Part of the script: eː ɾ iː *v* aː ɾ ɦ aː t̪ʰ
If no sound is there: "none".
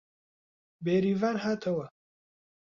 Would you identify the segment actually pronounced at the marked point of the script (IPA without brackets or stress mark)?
v